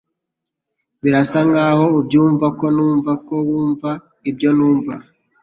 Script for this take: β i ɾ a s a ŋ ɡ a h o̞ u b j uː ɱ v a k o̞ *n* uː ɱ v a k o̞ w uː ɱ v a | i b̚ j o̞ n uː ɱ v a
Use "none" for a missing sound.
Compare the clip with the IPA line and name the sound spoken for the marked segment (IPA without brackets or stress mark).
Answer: n